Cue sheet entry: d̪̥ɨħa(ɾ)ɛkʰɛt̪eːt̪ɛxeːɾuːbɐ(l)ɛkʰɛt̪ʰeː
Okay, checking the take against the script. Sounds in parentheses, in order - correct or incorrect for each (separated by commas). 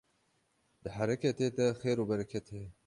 correct, incorrect